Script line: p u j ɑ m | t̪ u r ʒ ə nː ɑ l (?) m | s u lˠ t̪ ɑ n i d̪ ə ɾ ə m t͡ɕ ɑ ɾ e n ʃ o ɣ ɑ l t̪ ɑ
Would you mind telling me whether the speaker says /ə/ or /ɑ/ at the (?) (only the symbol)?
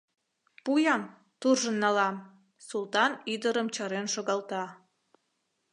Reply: ɑ